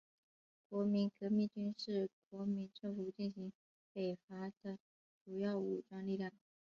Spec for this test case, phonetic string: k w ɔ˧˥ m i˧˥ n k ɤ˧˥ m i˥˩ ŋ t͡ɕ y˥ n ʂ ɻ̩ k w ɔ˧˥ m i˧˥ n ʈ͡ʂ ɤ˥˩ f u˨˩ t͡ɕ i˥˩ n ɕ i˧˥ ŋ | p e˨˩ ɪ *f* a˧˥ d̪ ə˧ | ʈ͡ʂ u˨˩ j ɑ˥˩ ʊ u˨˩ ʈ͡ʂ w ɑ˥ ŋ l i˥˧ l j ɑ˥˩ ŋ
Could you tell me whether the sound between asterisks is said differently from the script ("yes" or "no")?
no